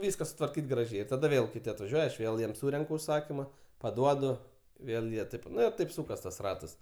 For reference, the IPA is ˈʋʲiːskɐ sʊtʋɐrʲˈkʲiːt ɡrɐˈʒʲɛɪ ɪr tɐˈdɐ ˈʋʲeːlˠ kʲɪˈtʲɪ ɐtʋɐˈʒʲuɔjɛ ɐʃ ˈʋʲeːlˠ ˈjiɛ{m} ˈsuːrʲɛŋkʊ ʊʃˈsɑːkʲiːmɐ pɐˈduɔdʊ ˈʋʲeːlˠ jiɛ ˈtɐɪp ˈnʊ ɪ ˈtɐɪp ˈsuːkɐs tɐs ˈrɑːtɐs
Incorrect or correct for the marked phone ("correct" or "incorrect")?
correct